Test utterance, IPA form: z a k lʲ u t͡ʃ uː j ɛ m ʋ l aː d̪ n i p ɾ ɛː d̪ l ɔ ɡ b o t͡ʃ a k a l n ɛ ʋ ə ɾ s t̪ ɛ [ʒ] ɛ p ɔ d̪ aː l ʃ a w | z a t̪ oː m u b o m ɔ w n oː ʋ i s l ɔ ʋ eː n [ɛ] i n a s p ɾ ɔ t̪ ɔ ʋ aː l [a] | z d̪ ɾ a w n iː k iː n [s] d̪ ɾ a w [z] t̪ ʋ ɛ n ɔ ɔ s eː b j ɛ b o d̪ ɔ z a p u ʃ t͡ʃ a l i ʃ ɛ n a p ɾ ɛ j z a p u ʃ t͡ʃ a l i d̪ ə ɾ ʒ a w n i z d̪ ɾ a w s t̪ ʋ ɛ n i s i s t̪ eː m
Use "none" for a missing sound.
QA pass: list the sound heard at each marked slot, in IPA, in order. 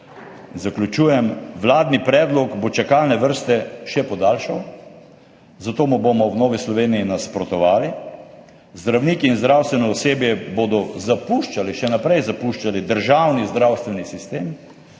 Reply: ʃ, i, i, z, s

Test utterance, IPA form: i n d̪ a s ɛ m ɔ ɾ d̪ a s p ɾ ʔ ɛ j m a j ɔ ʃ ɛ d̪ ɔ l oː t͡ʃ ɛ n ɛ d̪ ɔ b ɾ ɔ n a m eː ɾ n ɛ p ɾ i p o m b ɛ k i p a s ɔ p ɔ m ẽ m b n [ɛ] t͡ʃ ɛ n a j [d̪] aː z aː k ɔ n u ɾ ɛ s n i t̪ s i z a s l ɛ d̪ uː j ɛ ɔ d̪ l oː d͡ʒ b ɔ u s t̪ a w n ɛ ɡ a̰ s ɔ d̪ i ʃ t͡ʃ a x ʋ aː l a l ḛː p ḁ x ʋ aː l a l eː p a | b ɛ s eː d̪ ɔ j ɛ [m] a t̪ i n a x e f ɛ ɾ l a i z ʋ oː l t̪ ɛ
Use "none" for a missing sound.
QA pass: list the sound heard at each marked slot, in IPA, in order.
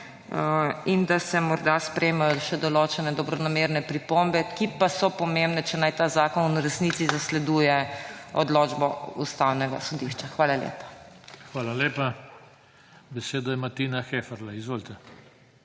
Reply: ɛ, t̪, m

